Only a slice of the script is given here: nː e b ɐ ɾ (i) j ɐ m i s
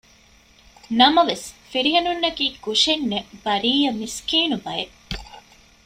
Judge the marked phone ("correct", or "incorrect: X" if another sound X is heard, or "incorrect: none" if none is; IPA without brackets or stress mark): incorrect: iː